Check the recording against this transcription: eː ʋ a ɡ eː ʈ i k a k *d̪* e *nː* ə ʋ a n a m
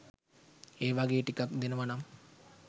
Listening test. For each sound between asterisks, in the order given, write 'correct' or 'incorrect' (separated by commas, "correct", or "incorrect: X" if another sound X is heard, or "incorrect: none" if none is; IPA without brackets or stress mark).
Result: correct, incorrect: n